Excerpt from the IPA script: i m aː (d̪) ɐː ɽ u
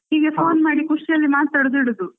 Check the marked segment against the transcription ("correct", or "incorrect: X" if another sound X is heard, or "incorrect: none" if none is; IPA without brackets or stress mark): incorrect: t̪